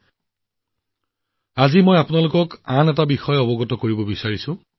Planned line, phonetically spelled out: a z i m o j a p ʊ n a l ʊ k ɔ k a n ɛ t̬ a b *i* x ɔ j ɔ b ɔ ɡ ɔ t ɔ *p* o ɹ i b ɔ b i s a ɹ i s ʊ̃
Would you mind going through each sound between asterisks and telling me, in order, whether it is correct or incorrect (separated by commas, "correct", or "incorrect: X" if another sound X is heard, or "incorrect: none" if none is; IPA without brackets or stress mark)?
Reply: correct, incorrect: k